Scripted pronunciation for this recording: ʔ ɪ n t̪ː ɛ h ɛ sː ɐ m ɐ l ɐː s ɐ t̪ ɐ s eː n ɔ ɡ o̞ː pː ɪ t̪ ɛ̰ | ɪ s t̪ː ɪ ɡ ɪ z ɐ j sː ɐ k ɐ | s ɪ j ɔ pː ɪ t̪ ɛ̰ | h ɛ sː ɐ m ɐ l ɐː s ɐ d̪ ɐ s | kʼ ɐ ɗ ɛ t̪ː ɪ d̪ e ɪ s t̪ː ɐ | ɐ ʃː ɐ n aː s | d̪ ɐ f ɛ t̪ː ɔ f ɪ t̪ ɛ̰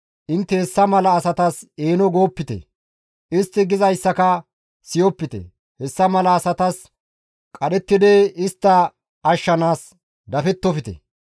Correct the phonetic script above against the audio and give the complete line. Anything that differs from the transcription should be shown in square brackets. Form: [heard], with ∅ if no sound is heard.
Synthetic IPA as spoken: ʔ ɪ n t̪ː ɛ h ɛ sː ɐ m ɐ l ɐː s ɐ t̪ ɐ s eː n ɔ ɡ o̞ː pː ɪ t̪ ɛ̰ | ɪ s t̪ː ɪ ɡ ɪ z ɐ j sː ɐ k ɐ | s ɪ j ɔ pː ɪ t̪ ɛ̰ | h ɛ sː ɐ m ɐ l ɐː s ɐ [t̪] ɐ s | kʼ ɐ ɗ ɛ t̪ː ɪ d̪ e ɪ s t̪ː ɐ | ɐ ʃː ɐ n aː s | d̪ ɐ f ɛ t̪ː ɔ f ɪ t̪ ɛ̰